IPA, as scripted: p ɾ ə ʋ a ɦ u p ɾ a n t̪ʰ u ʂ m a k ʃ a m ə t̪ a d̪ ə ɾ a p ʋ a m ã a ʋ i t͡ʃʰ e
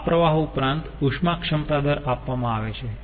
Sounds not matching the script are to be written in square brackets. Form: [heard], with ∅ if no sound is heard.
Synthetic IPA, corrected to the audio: p ɾ ə ʋ a ɦ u p ɾ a n [t̪] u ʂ m a k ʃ [ə] m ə t̪ a d̪ ə ɾ a p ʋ a m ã a ʋ [e] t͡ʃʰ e